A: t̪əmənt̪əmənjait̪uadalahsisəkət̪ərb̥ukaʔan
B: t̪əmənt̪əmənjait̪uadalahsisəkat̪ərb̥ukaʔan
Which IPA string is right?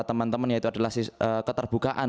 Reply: A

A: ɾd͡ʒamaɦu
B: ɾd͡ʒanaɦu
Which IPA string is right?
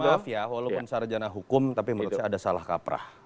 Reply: B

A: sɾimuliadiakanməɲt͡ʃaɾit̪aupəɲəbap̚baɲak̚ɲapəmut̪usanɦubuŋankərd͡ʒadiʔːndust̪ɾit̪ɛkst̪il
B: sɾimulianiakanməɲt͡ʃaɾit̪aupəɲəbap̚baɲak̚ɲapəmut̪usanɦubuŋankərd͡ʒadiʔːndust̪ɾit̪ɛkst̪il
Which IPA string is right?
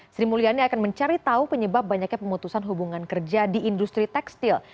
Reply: B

